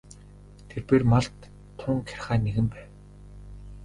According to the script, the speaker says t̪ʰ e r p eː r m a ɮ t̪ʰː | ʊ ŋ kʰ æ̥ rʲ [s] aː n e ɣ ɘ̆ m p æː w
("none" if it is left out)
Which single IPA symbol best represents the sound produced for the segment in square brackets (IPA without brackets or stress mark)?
χ